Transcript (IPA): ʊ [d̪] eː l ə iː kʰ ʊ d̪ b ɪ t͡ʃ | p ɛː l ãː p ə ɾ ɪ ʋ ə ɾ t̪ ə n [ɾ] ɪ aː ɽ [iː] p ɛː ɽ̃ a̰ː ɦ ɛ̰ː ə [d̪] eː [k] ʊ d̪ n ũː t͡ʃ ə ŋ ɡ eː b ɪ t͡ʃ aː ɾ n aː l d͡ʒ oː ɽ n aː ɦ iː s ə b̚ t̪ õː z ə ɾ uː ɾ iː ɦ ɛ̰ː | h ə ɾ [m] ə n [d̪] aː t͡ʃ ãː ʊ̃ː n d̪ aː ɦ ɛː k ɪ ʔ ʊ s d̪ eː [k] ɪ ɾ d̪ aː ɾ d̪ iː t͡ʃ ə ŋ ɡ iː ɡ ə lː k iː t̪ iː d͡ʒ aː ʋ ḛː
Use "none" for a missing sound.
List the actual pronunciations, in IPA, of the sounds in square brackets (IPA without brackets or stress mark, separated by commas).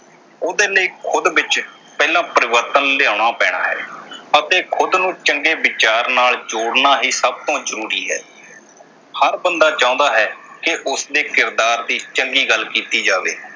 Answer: d̪, l, aː, t̪, kʰ, b, d̪, k